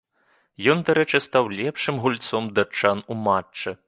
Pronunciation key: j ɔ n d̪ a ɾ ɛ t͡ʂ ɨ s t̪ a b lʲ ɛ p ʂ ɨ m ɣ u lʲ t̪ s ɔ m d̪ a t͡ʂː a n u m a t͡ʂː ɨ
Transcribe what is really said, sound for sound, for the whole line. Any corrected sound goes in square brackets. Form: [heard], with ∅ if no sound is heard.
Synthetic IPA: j ɔ n d̪ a ɾ ɛ t͡ʂ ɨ s t̪ a [w] lʲ ɛ p ʂ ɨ m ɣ u lʲ t̪ s ɔ m d̪ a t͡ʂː a n u m a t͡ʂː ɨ